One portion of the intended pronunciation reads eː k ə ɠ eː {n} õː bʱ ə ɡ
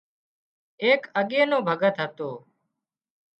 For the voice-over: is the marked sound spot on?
yes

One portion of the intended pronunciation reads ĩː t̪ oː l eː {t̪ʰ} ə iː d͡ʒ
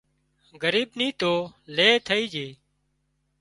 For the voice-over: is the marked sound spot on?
yes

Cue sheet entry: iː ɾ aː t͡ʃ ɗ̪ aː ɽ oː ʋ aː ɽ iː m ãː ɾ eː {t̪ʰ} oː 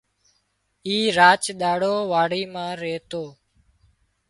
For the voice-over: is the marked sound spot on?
no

